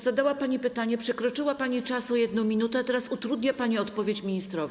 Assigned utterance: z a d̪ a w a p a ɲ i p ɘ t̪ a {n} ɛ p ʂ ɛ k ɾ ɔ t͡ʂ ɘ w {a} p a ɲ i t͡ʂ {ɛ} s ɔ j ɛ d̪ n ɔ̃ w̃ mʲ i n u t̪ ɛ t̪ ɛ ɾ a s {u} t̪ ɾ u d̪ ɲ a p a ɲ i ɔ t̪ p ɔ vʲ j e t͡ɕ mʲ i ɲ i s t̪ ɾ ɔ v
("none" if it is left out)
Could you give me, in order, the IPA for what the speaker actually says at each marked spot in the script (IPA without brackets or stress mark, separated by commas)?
ɲ, a, a, u